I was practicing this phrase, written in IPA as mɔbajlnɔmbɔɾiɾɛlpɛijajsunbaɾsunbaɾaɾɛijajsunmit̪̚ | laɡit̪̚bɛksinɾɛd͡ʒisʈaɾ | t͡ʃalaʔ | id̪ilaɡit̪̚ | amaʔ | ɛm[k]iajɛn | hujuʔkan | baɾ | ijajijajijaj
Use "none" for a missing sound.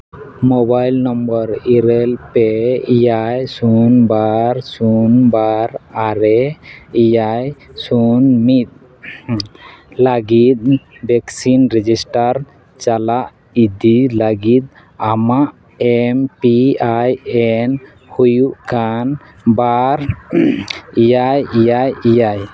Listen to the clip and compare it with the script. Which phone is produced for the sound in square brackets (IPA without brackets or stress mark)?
p